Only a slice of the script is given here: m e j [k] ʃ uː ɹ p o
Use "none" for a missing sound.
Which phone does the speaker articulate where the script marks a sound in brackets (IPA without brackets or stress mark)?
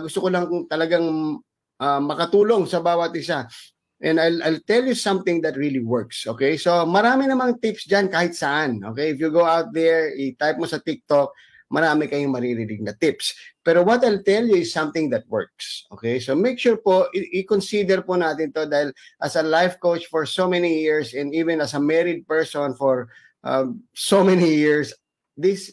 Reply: k